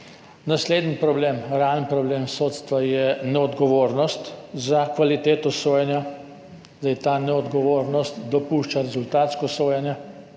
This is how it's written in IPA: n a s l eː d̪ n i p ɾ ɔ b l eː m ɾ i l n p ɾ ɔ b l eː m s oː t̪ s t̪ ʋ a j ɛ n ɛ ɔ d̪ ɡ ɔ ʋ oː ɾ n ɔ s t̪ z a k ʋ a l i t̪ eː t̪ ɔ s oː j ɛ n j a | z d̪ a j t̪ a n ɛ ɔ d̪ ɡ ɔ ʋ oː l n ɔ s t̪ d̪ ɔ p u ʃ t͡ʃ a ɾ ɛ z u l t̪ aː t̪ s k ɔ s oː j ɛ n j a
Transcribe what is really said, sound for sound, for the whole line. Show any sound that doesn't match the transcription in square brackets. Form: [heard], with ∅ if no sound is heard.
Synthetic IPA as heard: n a s l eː d̪ n i p ɾ ɔ b l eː m ɾ [a] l n p ɾ ɔ b l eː m s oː t̪ s t̪ ʋ a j ɛ n ɛ ɔ d̪ ɡ ɔ ʋ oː ɾ n ɔ s t̪ z a k ʋ a l i t̪ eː t̪ ɔ s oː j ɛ n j a | z d̪ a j t̪ a n ɛ ɔ d̪ ɡ ɔ ʋ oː [ɾ] n ɔ s t̪ d̪ ɔ p u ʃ t͡ʃ a ɾ ɛ z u l t̪ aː t̪ s k ɔ s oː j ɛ n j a